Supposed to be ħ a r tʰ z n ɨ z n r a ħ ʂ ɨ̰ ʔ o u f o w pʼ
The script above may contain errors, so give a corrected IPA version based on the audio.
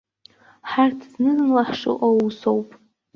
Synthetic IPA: ħ a r tʰ z n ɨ z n l a ħ ʂ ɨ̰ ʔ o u s o w pʼ